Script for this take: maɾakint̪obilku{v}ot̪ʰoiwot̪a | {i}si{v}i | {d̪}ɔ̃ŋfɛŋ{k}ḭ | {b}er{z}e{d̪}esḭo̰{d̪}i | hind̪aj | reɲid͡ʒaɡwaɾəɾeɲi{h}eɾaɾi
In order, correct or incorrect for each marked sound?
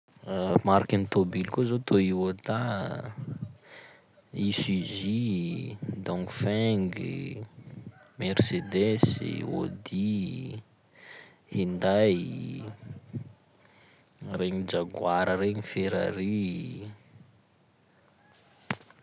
incorrect, correct, incorrect, correct, incorrect, incorrect, incorrect, correct, correct, incorrect

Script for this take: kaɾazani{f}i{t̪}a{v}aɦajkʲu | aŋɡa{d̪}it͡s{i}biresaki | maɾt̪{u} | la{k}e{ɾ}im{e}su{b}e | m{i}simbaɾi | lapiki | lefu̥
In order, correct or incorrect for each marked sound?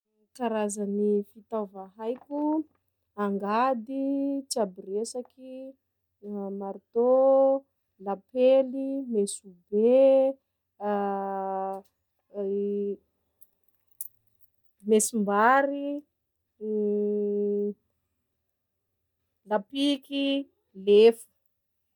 correct, correct, correct, correct, incorrect, incorrect, incorrect, incorrect, correct, correct, incorrect

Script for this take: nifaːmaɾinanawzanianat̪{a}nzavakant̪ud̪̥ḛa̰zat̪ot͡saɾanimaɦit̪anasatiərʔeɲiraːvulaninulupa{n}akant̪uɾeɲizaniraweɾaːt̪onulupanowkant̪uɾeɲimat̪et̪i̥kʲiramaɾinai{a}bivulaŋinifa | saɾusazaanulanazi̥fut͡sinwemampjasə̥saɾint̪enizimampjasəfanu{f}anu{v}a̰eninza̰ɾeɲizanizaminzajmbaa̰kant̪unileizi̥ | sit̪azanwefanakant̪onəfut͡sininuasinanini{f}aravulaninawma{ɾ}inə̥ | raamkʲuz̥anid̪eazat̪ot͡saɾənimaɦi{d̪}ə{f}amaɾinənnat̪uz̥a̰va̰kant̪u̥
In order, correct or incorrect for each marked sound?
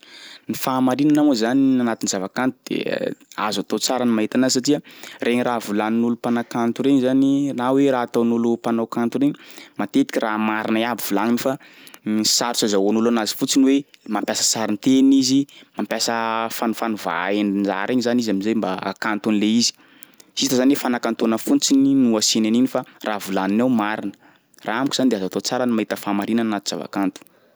incorrect, correct, correct, correct, correct, correct, correct, incorrect, correct

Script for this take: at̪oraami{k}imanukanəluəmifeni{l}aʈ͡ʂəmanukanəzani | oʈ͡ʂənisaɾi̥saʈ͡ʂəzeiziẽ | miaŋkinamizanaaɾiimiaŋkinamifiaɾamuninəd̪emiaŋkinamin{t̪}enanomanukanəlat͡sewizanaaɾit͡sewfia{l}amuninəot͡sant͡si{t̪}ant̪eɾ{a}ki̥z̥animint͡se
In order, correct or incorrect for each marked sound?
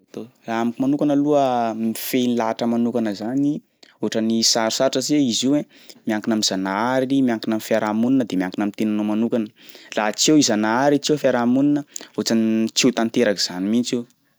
correct, correct, correct, incorrect, correct, correct

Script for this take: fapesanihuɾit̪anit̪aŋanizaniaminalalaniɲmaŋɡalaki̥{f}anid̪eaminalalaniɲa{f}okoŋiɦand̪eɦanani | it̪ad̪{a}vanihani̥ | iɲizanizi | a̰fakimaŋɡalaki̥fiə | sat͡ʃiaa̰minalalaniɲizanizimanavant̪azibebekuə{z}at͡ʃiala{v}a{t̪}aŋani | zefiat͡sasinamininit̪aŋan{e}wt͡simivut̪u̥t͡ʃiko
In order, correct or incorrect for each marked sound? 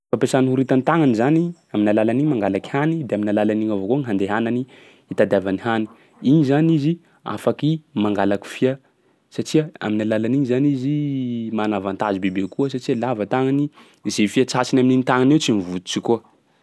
incorrect, incorrect, correct, incorrect, correct, correct, correct

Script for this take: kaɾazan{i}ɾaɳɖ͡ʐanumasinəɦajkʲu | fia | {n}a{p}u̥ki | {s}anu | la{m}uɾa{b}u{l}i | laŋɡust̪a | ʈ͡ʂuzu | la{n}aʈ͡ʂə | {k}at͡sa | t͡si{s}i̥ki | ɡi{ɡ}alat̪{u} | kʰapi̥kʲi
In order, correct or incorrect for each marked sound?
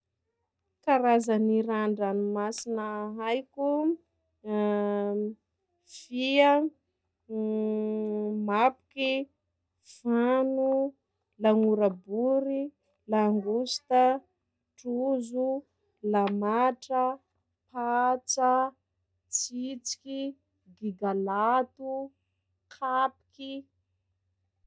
correct, incorrect, correct, incorrect, incorrect, correct, incorrect, incorrect, incorrect, incorrect, correct, correct

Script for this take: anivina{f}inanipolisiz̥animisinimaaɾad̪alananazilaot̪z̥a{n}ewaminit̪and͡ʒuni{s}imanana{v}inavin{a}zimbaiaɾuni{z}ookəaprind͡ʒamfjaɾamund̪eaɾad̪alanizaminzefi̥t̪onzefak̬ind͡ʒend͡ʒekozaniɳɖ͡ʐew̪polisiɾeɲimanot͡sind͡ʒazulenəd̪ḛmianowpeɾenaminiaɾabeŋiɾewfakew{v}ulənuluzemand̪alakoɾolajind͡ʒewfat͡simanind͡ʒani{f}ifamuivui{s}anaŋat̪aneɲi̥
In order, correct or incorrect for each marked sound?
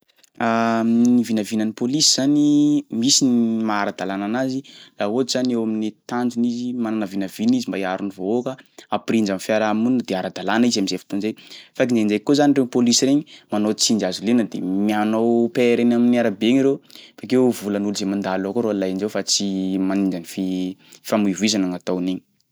incorrect, correct, incorrect, correct, incorrect, incorrect, correct, correct, incorrect

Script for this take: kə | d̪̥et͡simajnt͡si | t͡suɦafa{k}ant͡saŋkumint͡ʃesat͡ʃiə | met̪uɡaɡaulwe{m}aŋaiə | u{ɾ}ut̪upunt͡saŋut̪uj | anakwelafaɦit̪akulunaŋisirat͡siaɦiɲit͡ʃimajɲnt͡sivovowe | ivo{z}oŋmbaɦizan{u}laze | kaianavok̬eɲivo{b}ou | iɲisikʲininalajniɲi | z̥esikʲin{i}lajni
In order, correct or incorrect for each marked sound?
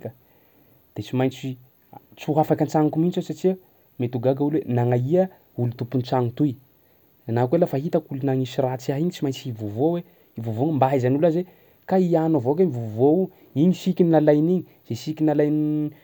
correct, incorrect, incorrect, incorrect, correct, incorrect, incorrect

